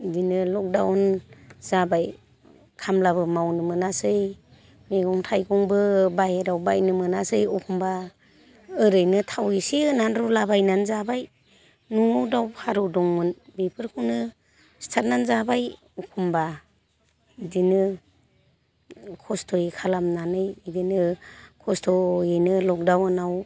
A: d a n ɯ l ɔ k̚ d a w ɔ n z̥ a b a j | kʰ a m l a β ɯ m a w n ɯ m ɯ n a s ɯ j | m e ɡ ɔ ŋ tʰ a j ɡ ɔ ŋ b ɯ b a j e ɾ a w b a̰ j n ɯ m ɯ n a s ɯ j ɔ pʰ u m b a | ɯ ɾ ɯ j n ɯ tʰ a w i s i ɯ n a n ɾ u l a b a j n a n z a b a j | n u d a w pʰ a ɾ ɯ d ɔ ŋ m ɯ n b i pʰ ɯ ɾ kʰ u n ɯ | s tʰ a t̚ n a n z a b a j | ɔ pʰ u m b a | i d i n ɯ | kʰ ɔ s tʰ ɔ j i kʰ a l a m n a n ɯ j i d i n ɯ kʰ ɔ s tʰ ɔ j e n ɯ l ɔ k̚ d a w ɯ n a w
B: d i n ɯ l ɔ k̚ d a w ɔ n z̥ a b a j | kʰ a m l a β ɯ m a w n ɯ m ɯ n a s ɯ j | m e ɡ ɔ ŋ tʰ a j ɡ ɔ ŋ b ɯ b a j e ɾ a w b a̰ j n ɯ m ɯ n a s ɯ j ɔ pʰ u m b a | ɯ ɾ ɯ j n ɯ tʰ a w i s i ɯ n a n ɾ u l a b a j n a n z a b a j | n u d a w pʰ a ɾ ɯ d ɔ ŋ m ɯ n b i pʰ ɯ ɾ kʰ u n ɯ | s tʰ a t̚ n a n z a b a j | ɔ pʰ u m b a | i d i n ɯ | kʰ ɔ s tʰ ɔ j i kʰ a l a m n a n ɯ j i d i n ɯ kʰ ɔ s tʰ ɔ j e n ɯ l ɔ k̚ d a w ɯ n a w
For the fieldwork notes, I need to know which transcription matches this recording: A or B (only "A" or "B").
B